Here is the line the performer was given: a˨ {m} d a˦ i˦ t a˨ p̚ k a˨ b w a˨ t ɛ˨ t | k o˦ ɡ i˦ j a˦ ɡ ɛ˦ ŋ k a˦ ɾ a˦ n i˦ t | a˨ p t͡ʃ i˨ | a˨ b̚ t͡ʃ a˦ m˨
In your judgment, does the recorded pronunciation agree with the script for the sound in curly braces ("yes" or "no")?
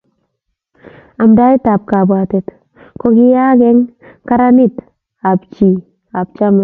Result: yes